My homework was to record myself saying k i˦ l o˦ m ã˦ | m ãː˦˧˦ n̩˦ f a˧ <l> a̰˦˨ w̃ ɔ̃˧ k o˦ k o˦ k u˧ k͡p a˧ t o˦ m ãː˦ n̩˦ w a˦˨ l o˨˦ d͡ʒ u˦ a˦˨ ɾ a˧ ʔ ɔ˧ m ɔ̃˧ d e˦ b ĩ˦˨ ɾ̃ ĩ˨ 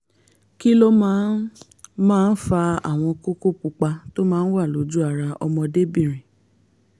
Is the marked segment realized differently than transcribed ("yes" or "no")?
yes